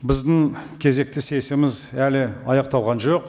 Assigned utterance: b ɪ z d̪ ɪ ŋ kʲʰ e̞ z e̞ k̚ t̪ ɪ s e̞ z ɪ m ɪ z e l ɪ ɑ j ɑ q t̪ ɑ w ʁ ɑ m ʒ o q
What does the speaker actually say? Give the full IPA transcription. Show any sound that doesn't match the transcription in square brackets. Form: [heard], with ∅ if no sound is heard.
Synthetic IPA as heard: b ɪ z d̪ ɪ ŋ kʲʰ e̞ z e̞ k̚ t̪ ɪ s e̞ [s] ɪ m ɪ z [æ] l ɪ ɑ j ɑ q t̪ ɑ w ʁ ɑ [n] ʒ o q